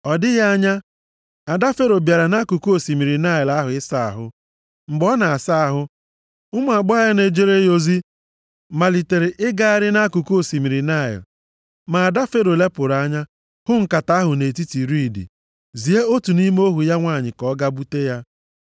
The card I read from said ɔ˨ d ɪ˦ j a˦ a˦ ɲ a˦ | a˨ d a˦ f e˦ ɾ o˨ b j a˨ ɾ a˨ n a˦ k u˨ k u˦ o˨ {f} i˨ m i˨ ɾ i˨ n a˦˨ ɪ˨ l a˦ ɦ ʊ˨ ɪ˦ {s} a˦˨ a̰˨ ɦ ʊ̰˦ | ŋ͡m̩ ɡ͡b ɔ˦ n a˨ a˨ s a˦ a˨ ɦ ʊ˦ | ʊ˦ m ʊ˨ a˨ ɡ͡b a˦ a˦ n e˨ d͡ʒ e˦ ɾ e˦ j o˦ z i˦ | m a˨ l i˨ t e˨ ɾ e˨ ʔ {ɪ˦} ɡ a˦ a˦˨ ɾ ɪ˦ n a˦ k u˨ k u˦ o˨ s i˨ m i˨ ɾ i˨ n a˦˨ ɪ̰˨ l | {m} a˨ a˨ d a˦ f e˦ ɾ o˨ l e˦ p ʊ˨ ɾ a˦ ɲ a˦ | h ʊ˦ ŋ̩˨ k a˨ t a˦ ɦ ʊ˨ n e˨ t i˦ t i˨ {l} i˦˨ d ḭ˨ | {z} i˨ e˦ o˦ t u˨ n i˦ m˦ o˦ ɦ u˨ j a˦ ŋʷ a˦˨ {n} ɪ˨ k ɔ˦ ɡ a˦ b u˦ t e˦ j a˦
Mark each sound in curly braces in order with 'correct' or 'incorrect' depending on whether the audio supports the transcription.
incorrect: s, correct, correct, correct, incorrect: ɾ, correct, incorrect: ɲ

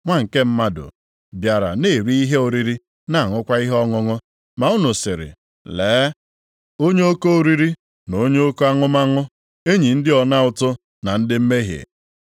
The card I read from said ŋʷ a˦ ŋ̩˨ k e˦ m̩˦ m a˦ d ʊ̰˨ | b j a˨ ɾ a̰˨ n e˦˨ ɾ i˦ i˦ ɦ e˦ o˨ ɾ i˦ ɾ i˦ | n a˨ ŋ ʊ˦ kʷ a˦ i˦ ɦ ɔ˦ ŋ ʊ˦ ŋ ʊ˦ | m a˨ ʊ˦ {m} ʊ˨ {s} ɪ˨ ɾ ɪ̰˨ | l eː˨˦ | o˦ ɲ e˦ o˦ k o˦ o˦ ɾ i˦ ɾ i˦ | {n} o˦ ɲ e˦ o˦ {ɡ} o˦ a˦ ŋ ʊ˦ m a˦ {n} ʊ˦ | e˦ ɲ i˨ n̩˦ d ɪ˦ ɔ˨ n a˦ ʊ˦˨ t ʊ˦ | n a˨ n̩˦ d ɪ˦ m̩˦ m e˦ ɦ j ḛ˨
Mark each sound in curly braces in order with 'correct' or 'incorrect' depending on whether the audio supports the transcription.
incorrect: n, correct, correct, incorrect: k, incorrect: ŋ

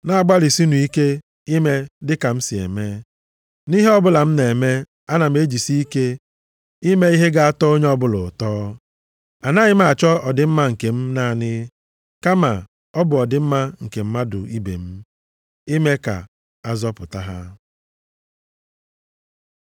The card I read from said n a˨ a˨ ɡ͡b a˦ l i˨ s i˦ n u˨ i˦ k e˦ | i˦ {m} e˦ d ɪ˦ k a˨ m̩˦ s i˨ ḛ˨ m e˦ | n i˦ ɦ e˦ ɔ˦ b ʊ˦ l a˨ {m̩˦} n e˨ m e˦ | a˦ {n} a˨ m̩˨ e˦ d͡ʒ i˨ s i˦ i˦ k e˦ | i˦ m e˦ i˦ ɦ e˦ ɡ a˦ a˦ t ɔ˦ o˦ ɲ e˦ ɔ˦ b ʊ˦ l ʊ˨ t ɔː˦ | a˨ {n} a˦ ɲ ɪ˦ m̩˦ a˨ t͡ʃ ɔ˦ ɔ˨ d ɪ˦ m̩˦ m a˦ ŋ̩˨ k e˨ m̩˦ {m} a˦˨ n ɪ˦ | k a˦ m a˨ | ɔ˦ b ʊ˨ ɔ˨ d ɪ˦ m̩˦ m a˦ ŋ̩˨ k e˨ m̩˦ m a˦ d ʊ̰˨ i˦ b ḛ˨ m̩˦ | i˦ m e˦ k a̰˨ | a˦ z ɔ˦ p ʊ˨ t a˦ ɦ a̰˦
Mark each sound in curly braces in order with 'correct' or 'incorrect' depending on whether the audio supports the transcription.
correct, correct, correct, correct, incorrect: n

